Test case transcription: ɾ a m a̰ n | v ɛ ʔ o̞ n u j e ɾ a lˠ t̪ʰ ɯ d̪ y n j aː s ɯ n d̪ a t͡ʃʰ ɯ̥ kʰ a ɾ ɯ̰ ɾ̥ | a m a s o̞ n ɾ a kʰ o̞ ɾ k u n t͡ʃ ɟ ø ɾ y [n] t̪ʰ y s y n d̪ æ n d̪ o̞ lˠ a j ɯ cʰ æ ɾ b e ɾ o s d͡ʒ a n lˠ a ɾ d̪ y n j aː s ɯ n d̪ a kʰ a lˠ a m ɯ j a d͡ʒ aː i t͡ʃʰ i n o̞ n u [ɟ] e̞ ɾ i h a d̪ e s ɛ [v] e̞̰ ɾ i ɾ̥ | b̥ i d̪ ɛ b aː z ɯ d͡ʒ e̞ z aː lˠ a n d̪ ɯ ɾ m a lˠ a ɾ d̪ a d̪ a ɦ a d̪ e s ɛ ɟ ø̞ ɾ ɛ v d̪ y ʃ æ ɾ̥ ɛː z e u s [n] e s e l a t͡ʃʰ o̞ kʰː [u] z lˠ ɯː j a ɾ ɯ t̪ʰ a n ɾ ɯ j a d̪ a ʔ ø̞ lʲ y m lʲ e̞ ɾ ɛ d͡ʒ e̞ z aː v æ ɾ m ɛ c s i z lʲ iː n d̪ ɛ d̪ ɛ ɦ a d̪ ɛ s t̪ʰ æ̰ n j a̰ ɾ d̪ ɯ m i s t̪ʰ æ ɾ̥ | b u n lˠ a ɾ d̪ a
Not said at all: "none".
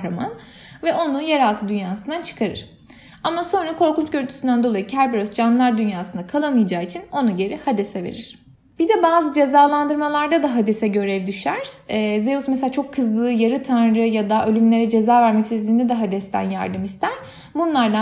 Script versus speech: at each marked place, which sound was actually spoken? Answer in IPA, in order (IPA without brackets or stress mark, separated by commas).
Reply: n, ɟ, v, m, ɯ